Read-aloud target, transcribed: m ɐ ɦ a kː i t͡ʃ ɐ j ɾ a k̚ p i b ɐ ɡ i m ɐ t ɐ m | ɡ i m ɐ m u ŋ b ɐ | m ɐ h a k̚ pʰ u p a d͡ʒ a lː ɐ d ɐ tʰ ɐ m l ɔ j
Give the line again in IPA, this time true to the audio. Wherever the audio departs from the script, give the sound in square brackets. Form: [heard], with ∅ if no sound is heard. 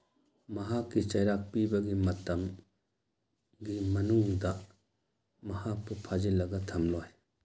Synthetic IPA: m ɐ ɦ a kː i t͡ʃ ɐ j ɾ a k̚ p i b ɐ ɡ i m ɐ t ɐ m | ɡ i m ɐ [n] u ŋ [d] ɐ | m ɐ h a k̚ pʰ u [pʰ] a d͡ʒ [i] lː ɐ [ɡ] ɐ tʰ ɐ m l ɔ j